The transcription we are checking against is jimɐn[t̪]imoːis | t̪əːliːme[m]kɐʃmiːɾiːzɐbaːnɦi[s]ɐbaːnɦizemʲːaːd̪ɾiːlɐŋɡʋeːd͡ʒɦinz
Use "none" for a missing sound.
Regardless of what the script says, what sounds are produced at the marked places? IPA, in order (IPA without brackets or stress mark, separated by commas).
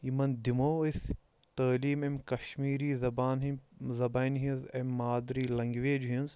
d̪, m, z